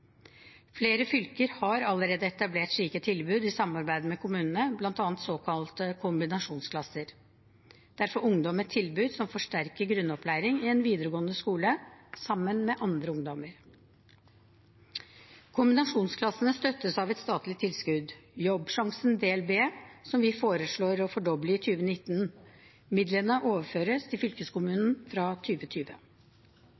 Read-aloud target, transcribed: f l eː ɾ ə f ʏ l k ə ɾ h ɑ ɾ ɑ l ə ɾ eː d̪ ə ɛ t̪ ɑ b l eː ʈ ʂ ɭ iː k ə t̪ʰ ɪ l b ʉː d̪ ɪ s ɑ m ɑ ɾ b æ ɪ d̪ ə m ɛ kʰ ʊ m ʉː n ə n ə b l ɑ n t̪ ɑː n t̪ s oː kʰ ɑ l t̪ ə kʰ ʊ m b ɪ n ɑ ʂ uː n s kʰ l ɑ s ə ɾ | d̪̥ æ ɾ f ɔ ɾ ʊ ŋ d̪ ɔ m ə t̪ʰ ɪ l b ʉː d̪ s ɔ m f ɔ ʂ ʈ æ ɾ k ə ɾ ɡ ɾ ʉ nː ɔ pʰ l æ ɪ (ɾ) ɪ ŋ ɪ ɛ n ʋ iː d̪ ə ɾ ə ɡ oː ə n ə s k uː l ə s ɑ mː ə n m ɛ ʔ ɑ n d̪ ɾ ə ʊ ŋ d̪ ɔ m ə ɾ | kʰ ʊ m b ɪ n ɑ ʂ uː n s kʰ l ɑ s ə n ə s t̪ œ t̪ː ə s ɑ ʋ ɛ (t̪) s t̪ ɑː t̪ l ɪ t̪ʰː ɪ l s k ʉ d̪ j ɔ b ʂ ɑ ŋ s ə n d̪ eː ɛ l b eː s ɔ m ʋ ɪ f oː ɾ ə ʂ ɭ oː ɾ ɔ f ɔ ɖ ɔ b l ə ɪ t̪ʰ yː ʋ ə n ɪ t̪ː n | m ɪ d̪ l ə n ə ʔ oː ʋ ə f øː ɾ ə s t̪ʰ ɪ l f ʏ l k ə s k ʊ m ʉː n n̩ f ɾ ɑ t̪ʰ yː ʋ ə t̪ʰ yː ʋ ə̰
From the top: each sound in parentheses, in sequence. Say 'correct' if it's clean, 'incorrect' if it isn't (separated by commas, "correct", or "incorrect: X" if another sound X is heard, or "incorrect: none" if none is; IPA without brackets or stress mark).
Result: correct, correct